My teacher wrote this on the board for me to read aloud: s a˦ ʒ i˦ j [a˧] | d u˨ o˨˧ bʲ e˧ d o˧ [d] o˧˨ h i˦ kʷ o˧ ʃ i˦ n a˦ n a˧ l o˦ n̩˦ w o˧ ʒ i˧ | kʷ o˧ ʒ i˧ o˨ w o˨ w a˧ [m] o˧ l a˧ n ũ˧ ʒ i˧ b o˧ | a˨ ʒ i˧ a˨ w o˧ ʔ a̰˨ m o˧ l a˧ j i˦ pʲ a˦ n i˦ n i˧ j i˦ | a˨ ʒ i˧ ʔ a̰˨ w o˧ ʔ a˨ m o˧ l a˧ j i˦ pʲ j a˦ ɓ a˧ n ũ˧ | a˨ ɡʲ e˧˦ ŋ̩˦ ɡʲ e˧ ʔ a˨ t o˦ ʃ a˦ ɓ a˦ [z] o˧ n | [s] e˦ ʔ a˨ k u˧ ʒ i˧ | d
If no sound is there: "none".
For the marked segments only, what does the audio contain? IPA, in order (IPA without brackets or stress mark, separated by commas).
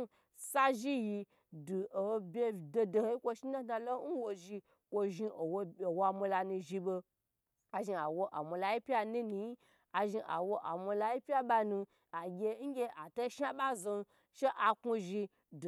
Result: i˧, d, m, z, ʃ